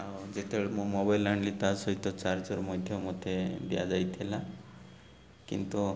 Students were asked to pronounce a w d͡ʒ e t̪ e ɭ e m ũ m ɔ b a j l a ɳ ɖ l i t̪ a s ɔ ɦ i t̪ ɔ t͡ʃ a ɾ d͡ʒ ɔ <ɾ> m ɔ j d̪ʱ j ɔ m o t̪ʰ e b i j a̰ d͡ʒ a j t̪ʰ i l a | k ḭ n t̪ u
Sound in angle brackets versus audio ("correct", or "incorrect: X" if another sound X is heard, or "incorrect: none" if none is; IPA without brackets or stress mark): correct